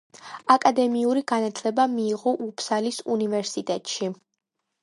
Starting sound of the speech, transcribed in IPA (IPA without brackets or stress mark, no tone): a